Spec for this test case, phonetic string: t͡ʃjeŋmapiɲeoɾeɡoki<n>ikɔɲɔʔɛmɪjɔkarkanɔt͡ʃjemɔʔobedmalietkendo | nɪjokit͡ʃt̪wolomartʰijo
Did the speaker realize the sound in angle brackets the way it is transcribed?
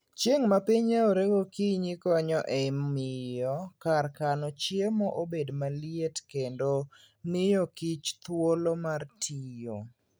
no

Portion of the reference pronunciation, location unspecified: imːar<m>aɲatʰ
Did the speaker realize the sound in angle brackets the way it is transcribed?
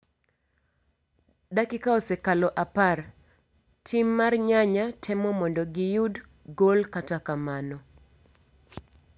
no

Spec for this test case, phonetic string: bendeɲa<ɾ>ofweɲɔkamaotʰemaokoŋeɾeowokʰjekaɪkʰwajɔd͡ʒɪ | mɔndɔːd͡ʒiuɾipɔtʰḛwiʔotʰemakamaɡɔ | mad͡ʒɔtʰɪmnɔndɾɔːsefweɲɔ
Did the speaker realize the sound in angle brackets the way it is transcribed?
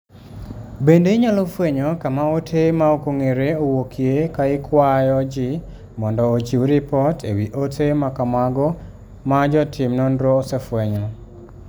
no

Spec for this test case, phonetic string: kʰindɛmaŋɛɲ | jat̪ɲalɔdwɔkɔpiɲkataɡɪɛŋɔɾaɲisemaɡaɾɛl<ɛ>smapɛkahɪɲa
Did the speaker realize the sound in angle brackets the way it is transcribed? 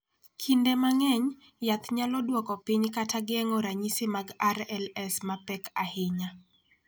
yes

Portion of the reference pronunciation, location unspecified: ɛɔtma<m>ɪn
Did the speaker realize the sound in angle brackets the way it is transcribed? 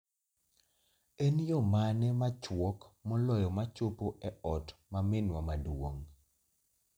yes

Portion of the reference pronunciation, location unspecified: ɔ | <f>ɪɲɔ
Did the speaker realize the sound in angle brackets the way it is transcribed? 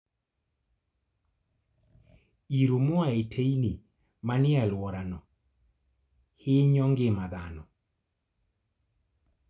no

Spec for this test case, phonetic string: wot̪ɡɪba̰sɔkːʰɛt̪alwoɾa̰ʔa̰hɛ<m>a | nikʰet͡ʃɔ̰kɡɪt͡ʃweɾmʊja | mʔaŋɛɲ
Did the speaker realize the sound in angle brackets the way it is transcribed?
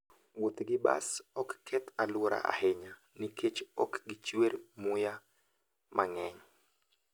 no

